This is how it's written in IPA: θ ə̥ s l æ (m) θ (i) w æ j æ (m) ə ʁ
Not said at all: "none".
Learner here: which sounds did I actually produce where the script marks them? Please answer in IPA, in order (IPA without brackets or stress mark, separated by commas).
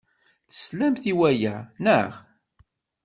m, i, n